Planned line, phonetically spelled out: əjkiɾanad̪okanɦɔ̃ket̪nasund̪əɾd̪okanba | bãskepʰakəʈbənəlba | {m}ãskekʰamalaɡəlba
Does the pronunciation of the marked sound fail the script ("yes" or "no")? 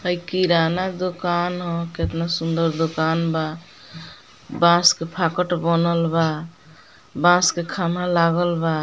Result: yes